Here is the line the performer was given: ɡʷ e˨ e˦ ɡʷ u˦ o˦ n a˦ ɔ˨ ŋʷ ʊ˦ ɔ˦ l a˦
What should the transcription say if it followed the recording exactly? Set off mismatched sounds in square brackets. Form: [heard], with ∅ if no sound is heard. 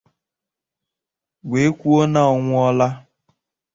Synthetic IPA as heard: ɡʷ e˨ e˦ [kʷ] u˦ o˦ n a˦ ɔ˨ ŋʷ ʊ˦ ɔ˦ l a˦